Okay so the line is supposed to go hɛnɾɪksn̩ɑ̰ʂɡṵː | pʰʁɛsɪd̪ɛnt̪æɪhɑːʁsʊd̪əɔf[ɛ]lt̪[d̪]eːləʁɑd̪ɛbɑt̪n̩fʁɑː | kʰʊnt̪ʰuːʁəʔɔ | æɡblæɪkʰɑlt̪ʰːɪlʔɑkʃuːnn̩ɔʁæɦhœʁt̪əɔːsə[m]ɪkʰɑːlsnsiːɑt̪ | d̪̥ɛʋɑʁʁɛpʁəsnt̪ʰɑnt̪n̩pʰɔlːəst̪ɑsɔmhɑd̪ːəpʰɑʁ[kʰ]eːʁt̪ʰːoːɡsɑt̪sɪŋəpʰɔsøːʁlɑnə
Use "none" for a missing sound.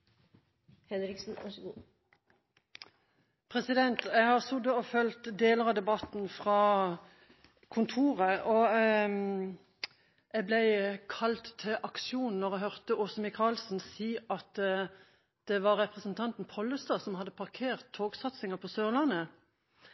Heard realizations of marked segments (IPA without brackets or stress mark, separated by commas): œ, d̪, m, kʰ